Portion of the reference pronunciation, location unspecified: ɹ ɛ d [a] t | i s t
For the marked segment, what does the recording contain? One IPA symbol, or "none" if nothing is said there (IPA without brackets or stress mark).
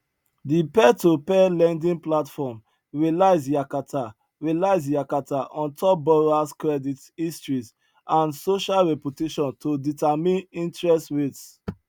i